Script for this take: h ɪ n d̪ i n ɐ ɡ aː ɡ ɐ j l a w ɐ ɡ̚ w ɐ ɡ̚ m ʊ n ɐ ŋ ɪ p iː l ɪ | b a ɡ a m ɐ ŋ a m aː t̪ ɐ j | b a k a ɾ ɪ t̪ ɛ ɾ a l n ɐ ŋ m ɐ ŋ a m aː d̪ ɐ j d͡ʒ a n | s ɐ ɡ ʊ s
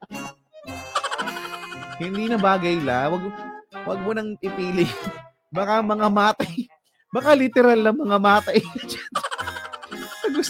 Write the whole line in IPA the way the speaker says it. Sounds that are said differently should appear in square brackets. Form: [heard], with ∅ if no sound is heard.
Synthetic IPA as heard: h ɪ n d̪ i n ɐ [b] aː ɡ ɐ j l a w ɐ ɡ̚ w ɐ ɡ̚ m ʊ n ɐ ŋ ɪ p iː l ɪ | b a [k] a m ɐ ŋ a m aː t̪ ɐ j | b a k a [l] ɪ t̪ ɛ ɾ a l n ɐ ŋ m ɐ ŋ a m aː [t̪] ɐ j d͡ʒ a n | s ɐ ɡ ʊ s